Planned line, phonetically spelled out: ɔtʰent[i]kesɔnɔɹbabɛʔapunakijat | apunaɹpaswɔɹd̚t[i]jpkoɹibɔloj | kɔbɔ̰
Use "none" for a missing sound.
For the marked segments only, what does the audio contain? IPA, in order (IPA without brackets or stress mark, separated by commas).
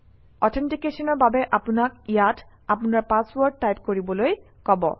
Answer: i, a